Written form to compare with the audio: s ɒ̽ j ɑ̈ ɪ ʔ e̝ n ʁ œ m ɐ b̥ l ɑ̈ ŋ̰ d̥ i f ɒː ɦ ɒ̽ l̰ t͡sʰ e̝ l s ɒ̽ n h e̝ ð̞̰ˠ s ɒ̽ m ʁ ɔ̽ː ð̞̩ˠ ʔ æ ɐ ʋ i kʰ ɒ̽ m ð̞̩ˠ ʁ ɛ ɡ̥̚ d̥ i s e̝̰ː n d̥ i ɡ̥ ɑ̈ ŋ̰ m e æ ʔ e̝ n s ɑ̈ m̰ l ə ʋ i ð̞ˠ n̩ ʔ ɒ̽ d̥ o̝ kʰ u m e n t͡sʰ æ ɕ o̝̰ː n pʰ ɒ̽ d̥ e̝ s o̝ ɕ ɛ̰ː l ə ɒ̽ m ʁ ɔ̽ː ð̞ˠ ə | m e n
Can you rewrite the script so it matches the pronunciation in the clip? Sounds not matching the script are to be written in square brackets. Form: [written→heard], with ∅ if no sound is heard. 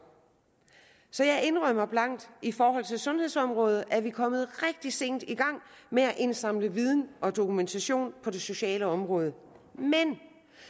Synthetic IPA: s ɒ̽ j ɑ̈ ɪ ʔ e̝ n ʁ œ m ɐ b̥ l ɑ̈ ŋ̰ d̥ i f ɒː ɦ ɒ̽ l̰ t͡sʰ e̝ l s [ɒ̽→ɔ̽] n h e̝ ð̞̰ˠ s ɒ̽ m ʁ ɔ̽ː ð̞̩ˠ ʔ æ ɐ ʋ i kʰ ɒ̽ m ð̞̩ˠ ʁ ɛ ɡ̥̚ d̥ i s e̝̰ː n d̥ i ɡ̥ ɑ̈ ŋ̰ m e æ ʔ e̝ n s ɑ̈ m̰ l ə ʋ i ð̞ˠ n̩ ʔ ɒ̽ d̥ o̝ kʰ u m e n t͡sʰ æ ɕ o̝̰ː n pʰ ɒ̽ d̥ e̝ s o̝ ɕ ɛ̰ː l ə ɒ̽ m ʁ ɔ̽ː ð̞ˠ ə | m e n